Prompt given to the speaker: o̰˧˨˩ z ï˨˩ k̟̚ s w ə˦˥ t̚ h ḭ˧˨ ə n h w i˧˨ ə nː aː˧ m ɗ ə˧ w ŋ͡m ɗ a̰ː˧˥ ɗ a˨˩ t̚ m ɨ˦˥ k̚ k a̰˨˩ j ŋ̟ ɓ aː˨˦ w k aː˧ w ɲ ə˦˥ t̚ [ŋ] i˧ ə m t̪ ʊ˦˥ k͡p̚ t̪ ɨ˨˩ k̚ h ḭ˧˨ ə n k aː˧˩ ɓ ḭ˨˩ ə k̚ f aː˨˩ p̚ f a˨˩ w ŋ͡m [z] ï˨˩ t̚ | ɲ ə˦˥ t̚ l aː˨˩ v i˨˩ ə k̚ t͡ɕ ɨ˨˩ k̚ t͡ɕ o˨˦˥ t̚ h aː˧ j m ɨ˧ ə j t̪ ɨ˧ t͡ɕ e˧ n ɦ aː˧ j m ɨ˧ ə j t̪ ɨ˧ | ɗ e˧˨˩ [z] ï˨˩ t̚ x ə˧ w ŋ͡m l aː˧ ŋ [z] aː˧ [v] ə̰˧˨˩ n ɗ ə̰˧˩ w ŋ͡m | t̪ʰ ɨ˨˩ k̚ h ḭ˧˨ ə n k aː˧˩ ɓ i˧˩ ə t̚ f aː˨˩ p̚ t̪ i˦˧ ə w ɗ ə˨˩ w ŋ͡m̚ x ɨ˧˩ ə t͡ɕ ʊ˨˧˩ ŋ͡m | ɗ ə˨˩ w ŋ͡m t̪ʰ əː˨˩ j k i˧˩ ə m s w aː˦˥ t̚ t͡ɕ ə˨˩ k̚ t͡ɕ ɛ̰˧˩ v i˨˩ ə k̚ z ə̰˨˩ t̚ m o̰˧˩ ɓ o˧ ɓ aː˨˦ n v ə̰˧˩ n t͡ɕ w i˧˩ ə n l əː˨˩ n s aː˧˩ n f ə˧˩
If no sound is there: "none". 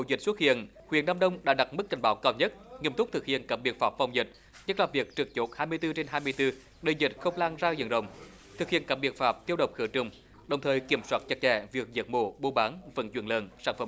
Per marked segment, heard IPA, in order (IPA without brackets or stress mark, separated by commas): ŋ, z, z, z, z